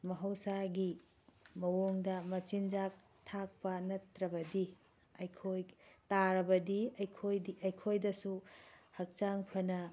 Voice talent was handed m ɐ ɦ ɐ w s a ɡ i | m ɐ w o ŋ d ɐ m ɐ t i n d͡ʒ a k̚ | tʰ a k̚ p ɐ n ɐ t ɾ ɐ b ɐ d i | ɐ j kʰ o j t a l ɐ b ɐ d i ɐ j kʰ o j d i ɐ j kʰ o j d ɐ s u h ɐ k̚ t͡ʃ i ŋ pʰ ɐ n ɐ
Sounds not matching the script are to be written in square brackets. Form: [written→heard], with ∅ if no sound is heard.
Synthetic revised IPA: m ɐ ɦ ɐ w s a ɡ i | m ɐ w o ŋ d ɐ m ɐ [t→t͡ʃ] i n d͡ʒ a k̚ | tʰ a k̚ p ɐ n ɐ t ɾ ɐ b ɐ d i | ɐ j kʰ o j t a [l→ɾ] ɐ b ɐ d i ɐ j kʰ o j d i ɐ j kʰ o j d ɐ s u h ɐ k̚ t͡ʃ [i→a] ŋ pʰ ɐ n ɐ